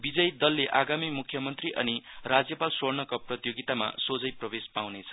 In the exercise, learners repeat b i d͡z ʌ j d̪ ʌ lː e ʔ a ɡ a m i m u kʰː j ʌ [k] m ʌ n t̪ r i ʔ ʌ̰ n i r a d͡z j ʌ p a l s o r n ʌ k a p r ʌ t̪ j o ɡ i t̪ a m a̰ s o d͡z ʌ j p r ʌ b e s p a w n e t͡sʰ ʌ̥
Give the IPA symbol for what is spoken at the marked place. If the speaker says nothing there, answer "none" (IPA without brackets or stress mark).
none